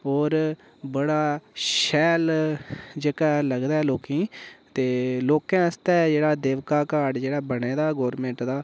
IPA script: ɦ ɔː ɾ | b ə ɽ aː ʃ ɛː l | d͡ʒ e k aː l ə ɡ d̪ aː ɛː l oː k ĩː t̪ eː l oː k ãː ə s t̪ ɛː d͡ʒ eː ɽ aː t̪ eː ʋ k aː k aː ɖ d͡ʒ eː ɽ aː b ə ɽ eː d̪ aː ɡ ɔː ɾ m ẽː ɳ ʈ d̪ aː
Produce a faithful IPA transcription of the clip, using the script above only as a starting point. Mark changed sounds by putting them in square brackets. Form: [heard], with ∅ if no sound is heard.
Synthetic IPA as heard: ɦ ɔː ɾ | b ə ɽ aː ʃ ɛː l | d͡ʒ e k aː l ə ɡ d̪ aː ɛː l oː k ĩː t̪ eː l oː k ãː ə s t̪ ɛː d͡ʒ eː ɽ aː [d̪] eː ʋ k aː k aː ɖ d͡ʒ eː ɽ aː b ə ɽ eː d̪ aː ɡ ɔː ɾ m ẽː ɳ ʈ d̪ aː